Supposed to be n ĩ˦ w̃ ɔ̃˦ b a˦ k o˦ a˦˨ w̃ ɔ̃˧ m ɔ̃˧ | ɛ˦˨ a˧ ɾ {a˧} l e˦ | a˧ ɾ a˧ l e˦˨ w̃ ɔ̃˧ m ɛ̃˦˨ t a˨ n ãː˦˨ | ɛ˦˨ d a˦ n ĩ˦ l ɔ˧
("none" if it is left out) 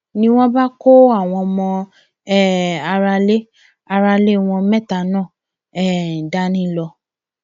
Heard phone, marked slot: a˧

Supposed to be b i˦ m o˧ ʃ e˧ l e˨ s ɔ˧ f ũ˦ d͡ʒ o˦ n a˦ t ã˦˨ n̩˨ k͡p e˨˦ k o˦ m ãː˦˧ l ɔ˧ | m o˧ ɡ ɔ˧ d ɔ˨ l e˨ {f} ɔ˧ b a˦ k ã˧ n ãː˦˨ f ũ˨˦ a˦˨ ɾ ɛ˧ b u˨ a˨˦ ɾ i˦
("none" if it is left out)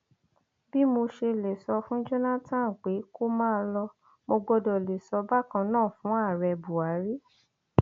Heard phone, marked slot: s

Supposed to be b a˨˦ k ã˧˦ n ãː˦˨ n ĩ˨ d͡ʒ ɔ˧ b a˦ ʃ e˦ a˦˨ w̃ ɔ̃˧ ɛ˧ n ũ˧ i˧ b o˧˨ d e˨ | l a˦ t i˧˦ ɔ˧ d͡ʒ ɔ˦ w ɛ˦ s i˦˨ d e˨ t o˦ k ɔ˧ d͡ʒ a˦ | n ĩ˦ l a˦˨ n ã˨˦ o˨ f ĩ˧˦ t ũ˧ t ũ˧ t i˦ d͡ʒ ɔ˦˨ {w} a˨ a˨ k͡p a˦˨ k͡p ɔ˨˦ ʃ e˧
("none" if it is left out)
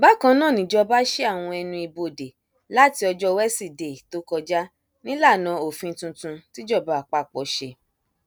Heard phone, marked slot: b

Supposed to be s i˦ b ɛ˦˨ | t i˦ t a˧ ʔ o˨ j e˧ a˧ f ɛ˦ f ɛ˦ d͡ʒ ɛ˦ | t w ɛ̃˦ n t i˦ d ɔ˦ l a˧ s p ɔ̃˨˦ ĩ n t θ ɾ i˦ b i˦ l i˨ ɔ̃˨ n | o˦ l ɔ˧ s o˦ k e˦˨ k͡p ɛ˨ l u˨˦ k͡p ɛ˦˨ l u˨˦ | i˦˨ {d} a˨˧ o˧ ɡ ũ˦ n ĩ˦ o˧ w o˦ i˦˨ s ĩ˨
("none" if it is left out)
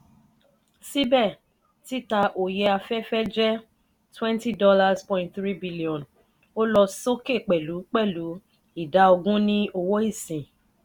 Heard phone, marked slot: d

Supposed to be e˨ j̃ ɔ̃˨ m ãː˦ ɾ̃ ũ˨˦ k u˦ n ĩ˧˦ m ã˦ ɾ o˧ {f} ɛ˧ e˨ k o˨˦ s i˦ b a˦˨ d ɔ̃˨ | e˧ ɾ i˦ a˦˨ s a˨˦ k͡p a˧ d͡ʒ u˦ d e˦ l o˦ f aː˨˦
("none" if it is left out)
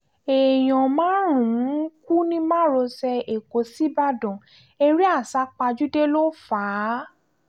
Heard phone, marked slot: s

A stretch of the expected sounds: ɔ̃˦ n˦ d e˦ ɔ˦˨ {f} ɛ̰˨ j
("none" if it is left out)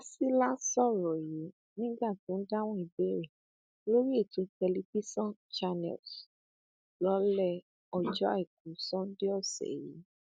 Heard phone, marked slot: s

